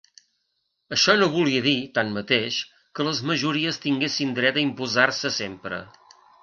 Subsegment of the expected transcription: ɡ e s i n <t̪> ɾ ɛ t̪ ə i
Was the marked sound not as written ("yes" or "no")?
yes